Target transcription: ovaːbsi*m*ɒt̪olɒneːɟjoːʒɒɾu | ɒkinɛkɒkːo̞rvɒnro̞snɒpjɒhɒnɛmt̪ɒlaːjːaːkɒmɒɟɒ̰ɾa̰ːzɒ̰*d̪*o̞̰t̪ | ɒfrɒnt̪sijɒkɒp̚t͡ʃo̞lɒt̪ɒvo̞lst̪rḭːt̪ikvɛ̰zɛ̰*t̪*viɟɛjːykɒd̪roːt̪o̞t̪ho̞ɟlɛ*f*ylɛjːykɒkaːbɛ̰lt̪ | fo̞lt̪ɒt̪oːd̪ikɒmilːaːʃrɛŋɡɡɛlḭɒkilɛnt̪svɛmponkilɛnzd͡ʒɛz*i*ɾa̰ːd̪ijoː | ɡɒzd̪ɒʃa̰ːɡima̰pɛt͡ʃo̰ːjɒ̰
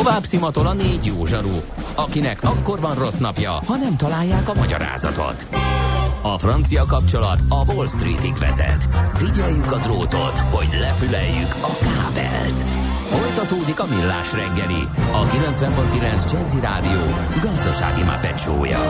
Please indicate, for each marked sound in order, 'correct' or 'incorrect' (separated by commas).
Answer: correct, incorrect, correct, correct, correct